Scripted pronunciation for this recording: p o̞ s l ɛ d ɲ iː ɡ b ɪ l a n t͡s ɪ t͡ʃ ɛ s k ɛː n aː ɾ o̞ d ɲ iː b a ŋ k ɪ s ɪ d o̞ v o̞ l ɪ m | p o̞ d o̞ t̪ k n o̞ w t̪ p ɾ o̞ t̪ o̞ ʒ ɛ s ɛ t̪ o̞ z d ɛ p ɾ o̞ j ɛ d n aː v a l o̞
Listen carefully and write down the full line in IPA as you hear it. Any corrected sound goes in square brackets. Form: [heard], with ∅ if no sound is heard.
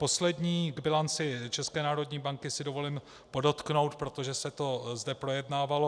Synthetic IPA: p o̞ s l ɛ d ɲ iː ɡ b ɪ l a n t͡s ɪ t͡ʃ ɛ s k ɛː n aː ɾ o̞ d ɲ iː b a ŋ k ɪ s ɪ d o̞ v o̞ l ɪ m | p o̞ d o̞ t̪ k n o̞ w t̪ p ɾ o̞ t̪ o̞ ʒ ɛ s ɛ t̪ o̞ z d ɛ p ɾ o̞ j ɛ d n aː v a l o̞